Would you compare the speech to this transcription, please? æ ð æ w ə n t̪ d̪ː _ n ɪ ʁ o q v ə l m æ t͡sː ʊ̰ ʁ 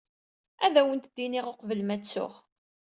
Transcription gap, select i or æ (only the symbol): i